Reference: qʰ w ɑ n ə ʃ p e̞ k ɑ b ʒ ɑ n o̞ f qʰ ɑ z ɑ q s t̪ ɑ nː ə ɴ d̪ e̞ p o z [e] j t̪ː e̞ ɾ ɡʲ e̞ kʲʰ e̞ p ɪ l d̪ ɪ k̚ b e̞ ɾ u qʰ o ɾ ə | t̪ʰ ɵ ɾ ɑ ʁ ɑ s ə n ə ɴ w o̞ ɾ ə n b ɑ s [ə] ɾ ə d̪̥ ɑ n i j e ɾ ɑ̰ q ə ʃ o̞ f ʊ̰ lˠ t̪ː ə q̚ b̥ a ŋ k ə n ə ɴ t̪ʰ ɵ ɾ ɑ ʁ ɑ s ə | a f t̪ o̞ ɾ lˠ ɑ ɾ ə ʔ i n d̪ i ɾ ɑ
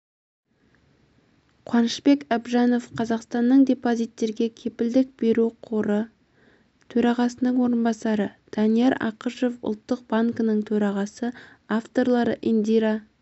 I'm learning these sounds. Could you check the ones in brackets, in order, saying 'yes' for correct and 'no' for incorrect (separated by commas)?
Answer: no, no